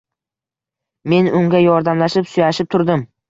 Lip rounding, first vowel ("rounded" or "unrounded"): unrounded